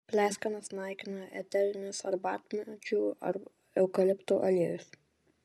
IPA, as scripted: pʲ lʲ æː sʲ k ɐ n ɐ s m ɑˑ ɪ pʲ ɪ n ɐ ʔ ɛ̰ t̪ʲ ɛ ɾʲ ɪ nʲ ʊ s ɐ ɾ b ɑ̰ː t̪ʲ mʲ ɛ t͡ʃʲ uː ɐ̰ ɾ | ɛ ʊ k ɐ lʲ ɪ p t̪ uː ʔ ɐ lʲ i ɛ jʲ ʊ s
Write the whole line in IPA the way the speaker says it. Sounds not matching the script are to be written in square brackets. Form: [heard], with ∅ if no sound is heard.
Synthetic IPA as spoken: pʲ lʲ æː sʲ k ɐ n ɐ s [n] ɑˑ ɪ [kʲ] ɪ n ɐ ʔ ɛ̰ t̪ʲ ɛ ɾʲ ɪ nʲ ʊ s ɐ ɾ b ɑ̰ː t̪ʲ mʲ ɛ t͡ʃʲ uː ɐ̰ ɾ | ɛ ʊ k ɐ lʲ ɪ p t̪ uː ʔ ɐ lʲ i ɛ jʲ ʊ s